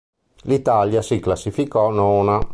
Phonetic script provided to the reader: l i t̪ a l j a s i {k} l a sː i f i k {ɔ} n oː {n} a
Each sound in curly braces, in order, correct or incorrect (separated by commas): correct, correct, correct